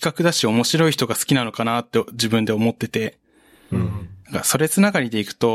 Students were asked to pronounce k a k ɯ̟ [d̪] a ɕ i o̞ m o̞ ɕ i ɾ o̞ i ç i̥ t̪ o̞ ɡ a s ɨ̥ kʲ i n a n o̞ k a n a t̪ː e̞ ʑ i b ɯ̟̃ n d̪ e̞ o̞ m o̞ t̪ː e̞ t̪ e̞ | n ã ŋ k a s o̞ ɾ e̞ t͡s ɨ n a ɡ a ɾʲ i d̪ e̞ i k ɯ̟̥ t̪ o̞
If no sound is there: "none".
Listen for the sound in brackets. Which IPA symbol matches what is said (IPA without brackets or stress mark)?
d̪